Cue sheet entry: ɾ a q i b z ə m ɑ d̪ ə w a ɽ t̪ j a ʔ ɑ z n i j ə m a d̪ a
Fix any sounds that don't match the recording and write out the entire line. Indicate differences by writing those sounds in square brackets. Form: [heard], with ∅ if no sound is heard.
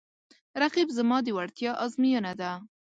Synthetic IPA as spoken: ɾ a q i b z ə m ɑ d̪ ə w a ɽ t̪ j [ɑ] ʔ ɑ z [m] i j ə [n] a d̪ a